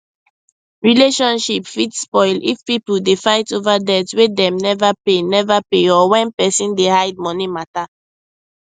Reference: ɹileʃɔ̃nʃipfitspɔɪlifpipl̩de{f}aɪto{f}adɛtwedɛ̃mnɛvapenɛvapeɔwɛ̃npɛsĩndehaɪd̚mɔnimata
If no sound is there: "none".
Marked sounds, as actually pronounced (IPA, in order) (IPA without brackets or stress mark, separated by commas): f, v